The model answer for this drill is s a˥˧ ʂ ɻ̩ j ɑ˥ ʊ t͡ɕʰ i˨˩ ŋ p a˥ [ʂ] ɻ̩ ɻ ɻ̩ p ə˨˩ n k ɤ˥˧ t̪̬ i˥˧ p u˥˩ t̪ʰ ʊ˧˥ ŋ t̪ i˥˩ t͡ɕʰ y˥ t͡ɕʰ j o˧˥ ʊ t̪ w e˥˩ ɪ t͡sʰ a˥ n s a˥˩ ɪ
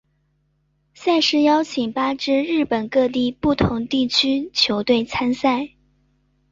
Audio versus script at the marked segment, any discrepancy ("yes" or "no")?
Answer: yes